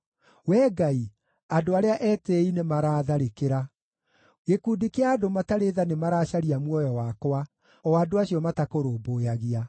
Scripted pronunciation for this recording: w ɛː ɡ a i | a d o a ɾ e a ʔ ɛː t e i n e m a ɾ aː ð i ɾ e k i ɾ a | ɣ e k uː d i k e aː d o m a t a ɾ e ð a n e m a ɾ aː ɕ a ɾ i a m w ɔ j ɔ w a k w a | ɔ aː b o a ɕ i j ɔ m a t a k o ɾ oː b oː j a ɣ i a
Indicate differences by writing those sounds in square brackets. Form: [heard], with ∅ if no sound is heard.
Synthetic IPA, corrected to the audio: w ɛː ɡ a i | a d o a ɾ e a ʔ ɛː t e i n e m a ɾ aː ð [a] ɾ e k [e] ɾ a | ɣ e k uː d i k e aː d o m a t a ɾ e ð a n e m a ɾ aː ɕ a ɾ i a m w ɔ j ɔ w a k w a | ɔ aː [d] o a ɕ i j ɔ m a t a k o ɾ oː b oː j a ɣ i a